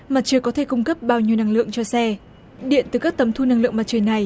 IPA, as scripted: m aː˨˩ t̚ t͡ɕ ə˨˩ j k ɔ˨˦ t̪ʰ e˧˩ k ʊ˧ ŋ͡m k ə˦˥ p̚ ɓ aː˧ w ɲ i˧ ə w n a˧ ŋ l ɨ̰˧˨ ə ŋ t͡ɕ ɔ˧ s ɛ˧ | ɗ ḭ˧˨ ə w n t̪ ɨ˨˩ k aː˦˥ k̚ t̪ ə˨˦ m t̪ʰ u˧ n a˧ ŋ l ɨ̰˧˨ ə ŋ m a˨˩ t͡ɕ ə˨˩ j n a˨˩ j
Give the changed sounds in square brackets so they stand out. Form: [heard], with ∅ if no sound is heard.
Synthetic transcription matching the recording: m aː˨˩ t̚ t͡ɕ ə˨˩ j k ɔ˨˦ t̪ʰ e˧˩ k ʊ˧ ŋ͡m k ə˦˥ p̚ ɓ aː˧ w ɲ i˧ ə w n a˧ ŋ l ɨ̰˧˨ ə ŋ t͡ɕ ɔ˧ s ɛ˧ | ɗ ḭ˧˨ ə [∅] n t̪ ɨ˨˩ k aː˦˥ k̚ t̪ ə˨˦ m t̪ʰ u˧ n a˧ ŋ l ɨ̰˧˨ ə ŋ m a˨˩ t͡ɕ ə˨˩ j n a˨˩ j